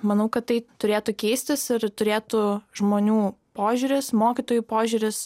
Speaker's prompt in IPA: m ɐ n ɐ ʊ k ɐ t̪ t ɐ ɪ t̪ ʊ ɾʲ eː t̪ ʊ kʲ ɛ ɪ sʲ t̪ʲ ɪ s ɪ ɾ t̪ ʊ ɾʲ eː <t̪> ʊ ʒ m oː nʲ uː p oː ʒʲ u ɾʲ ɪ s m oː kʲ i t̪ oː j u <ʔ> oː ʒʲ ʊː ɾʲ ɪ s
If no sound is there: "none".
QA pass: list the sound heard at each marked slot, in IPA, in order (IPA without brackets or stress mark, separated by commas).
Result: t̪, p